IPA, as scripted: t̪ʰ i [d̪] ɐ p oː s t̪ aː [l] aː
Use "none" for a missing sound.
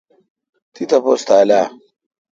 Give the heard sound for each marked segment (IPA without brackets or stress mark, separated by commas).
t̪, l